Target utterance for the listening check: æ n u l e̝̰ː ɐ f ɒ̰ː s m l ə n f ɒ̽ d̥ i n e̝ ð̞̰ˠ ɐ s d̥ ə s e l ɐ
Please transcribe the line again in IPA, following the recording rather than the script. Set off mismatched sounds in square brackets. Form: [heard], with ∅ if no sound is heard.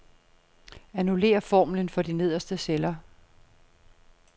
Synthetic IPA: æ n u l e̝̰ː ɐ f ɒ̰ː [∅] m l ə n f ɒ̽ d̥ i n e̝ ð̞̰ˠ ɐ s d̥ ə s e l ɐ